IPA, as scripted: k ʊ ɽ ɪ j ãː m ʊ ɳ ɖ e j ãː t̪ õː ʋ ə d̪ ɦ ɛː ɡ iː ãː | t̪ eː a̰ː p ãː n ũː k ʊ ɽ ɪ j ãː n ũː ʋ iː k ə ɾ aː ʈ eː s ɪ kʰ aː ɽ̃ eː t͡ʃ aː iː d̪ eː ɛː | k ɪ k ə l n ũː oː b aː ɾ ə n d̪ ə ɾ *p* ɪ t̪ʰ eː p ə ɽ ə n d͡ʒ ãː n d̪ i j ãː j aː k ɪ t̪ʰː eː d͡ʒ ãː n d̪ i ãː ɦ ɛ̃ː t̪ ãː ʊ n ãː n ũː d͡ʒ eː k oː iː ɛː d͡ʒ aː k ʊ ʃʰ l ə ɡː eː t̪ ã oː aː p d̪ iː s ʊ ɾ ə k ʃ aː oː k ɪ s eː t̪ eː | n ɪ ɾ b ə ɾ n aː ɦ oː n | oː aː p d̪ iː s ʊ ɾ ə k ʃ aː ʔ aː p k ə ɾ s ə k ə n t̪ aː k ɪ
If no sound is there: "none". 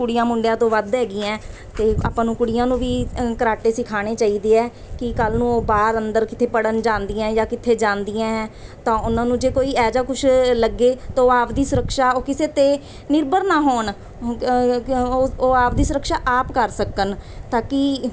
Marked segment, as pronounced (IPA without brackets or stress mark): k